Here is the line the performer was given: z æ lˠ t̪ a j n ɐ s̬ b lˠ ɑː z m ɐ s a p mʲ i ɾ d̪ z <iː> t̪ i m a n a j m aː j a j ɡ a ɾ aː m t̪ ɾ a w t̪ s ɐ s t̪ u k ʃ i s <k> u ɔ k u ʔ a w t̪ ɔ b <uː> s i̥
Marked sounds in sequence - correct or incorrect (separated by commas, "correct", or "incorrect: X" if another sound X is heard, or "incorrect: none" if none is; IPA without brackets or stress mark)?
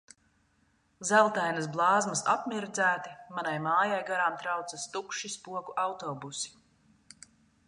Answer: incorrect: æː, incorrect: p, incorrect: u